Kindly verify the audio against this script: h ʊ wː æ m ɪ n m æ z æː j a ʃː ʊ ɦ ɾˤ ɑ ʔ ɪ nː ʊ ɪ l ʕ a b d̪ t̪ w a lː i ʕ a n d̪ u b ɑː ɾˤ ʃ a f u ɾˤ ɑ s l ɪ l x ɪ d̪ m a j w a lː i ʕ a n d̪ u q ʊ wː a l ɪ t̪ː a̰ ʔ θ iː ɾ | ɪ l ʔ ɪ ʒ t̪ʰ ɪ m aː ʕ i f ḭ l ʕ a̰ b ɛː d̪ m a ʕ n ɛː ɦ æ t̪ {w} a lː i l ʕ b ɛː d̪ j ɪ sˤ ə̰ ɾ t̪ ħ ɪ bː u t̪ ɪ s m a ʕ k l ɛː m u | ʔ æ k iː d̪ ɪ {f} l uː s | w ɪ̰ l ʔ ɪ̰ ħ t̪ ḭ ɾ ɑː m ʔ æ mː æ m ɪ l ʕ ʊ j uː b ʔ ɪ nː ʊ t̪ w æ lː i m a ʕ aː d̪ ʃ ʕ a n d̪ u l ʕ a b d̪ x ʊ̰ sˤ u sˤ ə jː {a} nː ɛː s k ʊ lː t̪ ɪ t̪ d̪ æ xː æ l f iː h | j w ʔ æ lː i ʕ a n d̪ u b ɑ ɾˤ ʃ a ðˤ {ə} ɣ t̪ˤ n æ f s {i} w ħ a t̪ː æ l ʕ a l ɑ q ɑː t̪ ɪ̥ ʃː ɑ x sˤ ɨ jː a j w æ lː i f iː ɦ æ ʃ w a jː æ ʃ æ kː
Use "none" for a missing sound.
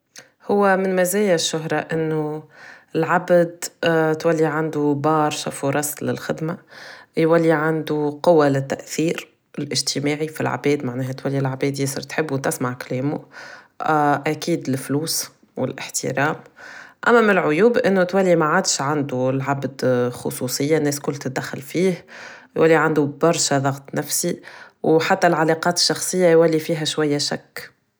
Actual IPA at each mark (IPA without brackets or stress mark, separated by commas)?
w, f, a, ɑ, i